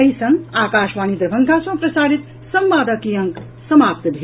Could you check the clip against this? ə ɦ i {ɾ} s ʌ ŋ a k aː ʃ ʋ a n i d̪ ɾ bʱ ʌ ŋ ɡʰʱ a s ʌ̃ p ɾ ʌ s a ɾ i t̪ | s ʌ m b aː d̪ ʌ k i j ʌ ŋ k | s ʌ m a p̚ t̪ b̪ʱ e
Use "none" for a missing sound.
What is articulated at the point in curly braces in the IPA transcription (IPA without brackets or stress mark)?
none